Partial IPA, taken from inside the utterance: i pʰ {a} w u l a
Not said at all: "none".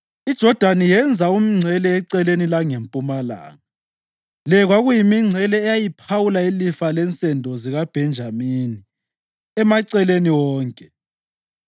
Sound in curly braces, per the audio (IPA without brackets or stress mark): a